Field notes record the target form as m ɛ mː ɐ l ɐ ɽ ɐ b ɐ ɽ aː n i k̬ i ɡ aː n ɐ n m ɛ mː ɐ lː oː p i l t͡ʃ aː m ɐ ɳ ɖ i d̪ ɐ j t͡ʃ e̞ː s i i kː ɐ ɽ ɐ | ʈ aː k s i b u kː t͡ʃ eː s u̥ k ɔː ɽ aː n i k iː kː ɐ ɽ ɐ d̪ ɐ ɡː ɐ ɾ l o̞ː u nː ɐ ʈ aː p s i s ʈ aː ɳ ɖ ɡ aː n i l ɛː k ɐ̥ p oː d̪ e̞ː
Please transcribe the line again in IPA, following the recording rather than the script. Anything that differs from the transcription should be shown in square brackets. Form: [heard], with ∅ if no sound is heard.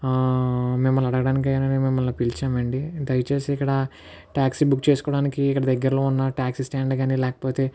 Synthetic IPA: m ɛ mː ɐ l ɐ ɽ ɐ [ɡ] ɐ ɽ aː n i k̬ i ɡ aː n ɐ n m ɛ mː ɐ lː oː p i l t͡ʃ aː m ɐ ɳ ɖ i d̪ ɐ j t͡ʃ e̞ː s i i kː ɐ ɽ ɐ | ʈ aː k s i b u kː t͡ʃ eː s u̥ k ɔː ɽ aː n i k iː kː ɐ ɽ ɐ d̪ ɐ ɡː ɐ ɾ l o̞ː u nː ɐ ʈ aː [k] s i s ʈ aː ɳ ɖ ɡ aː n i l ɛː k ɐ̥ p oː [t̪] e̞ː